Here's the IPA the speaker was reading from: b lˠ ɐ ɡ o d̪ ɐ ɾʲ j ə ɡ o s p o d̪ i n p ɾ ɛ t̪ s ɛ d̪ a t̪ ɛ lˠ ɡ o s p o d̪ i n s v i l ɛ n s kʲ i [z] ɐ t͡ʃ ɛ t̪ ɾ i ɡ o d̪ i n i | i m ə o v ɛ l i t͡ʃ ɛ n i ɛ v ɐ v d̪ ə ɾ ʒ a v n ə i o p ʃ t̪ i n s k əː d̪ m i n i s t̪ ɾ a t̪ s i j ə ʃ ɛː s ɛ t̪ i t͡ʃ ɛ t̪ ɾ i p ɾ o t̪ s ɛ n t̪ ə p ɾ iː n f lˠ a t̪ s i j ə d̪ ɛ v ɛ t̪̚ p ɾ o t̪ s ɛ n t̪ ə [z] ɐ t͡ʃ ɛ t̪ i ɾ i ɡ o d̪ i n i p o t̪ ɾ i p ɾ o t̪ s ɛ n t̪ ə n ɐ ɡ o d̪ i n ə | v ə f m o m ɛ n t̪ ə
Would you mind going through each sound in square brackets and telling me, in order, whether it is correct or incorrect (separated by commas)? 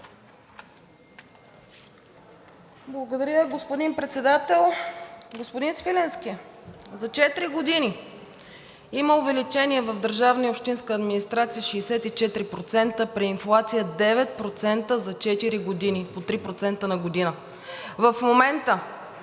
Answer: correct, correct